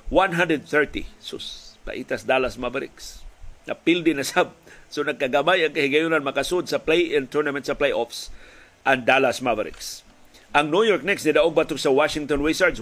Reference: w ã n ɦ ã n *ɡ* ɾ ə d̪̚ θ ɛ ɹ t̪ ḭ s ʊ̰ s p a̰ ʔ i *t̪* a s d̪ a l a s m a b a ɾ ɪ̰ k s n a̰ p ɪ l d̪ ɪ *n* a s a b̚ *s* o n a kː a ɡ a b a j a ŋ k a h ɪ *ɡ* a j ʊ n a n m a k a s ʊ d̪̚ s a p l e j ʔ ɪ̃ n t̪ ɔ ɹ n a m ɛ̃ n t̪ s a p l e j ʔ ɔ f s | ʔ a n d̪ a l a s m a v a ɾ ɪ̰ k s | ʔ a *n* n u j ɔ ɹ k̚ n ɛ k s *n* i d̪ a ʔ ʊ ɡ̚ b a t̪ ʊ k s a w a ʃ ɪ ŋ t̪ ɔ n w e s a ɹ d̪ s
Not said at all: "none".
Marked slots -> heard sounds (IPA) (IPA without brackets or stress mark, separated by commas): d, t̪, n, s, ɡ, ŋ, n